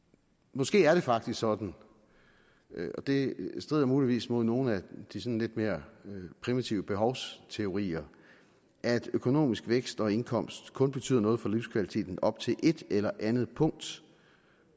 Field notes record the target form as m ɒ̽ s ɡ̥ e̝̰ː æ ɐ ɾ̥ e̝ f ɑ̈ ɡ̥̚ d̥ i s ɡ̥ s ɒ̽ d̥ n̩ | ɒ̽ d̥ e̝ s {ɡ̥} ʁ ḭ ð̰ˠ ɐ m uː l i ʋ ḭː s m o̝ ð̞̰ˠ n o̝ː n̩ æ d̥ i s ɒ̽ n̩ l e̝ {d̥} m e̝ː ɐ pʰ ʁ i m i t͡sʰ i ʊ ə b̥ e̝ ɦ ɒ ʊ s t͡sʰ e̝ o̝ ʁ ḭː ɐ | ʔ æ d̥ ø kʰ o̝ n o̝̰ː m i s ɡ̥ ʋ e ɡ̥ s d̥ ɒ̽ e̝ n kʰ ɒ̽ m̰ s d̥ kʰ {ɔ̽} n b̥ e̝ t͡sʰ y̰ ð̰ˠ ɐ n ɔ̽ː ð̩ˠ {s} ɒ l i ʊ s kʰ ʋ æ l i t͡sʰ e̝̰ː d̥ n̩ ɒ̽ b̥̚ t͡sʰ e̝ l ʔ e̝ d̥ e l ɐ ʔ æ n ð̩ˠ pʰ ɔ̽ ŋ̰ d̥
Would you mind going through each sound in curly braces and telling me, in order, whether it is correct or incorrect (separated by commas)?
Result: incorrect, correct, correct, incorrect